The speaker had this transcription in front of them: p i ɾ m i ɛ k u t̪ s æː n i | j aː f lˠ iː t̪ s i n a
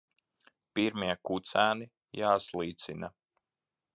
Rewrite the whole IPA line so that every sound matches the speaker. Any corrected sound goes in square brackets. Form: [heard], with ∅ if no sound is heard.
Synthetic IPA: p i ɾ m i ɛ k u t̪ s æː n i | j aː [s] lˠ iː t̪ s i n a